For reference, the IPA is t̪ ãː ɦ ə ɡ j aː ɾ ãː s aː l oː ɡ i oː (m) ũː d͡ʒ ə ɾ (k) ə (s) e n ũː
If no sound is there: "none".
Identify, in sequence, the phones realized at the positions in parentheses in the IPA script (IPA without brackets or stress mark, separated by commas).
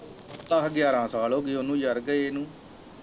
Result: n, ɡ, none